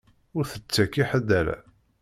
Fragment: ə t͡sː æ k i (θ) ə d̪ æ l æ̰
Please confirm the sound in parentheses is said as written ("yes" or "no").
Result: no